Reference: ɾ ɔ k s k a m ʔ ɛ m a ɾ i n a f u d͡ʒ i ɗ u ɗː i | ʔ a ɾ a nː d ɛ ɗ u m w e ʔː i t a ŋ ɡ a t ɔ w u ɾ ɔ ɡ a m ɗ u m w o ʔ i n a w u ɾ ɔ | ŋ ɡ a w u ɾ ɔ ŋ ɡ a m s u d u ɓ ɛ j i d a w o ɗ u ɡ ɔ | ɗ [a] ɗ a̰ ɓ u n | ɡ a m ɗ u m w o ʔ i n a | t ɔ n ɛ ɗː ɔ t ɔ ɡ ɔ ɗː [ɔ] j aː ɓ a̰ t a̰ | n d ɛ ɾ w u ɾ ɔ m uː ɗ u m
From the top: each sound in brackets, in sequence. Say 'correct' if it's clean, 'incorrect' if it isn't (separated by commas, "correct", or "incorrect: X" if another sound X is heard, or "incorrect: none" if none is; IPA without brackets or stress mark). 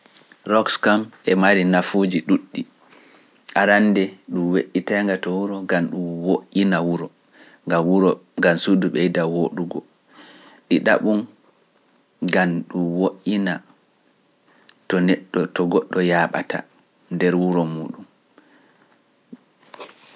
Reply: incorrect: i, correct